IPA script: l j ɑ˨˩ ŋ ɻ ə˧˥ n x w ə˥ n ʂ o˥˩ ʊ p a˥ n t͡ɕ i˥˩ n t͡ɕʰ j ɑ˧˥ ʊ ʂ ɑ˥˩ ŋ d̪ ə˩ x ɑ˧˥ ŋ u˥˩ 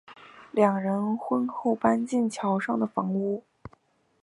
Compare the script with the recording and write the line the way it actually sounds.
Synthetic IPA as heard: l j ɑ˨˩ ŋ ɻ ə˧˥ n x w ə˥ n x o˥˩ ʊ p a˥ n t͡ɕ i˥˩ n t͡ɕʰ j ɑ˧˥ ʊ ʂ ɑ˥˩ ŋ d̪ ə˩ f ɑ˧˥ ŋ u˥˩

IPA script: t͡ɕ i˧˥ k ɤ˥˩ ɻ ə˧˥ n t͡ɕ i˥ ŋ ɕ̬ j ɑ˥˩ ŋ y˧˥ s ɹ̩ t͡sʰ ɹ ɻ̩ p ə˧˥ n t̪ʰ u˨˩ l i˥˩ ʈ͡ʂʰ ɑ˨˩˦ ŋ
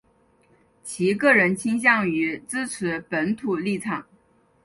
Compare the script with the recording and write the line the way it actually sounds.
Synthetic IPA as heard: t͡ɕʰ i˧˥ k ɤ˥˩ ɻ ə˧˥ n t͡ɕʰ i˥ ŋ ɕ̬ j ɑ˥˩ ŋ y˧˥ t͡s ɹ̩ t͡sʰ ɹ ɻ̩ p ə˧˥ n t̪ʰ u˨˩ l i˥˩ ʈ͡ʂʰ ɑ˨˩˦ ŋ

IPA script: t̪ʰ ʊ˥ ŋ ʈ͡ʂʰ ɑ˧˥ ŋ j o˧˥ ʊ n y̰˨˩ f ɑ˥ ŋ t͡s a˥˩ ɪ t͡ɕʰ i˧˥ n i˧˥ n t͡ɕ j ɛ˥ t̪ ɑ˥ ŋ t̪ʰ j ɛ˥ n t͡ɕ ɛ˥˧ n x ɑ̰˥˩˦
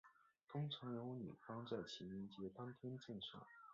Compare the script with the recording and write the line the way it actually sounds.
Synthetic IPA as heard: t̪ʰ ʊ˥ ŋ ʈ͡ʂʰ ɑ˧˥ ŋ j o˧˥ ʊ n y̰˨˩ f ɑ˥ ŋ t͡s a˥˩ ɪ t͡ɕʰ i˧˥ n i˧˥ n t͡ɕ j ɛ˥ t̪ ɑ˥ ŋ t̪ʰ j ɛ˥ n t͡ɕ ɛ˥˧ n ʂ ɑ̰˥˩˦

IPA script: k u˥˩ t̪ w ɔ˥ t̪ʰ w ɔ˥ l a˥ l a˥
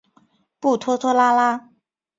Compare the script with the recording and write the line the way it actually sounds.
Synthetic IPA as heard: p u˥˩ t̪ʰ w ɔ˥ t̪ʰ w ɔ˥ l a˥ l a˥

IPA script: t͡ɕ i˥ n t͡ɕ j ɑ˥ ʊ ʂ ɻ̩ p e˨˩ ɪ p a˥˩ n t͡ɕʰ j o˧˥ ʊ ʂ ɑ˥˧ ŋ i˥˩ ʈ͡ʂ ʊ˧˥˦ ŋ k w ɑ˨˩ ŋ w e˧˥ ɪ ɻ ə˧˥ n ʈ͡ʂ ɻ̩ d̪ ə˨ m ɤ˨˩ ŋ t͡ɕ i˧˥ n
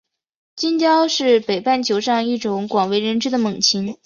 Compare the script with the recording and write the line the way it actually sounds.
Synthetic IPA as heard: t͡ɕ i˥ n t͡ɕ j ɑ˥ ʊ ʂ ɻ̩ p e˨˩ ɪ p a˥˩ n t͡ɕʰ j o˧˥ ʊ ʂ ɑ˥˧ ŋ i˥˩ ʈ͡ʂ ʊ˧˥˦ ŋ k w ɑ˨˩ ŋ w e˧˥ ɪ ɻ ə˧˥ n ʈ͡ʂ ɻ̩ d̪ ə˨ m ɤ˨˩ ŋ t͡ɕʰ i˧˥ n

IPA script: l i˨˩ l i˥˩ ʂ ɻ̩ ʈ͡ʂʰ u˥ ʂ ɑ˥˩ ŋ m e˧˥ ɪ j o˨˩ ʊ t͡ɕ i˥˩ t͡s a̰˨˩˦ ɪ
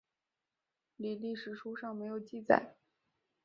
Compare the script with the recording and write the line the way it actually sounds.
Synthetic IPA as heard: l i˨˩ l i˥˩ ʂ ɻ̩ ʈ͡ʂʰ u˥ ʂ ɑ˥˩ ŋ m e˧˥ ɪ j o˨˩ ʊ t͡ɕ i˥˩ t͡s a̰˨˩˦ ɪ

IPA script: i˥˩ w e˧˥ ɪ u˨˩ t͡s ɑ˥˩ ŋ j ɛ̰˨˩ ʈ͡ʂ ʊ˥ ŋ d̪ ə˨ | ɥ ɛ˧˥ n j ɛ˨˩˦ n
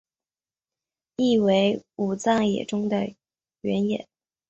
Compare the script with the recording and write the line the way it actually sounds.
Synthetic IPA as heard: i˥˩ w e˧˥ ɪ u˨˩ t͡s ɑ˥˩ ŋ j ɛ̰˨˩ ʈ͡ʂ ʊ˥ ŋ d̪ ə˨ | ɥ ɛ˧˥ n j ɛ˨˩˦ n

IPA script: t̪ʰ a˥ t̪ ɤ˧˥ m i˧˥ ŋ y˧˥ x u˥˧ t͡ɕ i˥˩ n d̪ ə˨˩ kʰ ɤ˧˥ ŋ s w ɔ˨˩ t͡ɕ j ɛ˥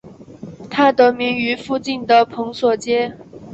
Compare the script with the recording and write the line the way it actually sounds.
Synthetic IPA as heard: t̪ʰ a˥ t̪ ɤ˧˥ m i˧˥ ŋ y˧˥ f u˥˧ t͡ɕ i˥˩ n d̪ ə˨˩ pʰ ɤ˧˥ ŋ s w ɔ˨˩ t͡ɕ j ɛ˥

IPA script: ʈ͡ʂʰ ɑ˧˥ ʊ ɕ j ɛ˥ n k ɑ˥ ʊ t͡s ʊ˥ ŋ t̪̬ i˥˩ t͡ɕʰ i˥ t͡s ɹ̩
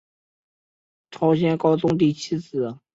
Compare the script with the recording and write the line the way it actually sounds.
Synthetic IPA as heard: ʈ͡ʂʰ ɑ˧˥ ʊ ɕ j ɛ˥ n k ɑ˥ ʊ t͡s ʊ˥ ŋ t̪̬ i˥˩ t͡ɕʰ i˥ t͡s ɹ̩

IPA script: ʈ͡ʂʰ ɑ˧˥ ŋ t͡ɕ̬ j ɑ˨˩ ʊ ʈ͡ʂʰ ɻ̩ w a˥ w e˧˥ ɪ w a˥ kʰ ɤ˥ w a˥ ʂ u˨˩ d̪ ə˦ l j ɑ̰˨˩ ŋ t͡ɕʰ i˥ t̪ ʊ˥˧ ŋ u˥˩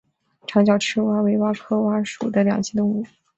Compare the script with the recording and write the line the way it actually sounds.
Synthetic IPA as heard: ʈ͡ʂʰ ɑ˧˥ ŋ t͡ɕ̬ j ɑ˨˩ ʊ ʈ͡ʂʰ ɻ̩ w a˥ w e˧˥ ɪ w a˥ kʰ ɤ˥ w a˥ ʂ u˨˩ d̪ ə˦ l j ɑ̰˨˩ ŋ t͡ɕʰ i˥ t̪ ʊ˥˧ ŋ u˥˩

